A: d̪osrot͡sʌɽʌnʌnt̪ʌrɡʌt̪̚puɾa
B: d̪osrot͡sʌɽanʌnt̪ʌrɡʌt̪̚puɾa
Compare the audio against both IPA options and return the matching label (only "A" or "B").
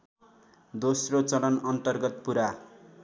A